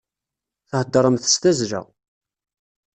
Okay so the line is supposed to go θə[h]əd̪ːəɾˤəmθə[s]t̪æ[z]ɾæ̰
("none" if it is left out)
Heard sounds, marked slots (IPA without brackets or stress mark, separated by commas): h, s, z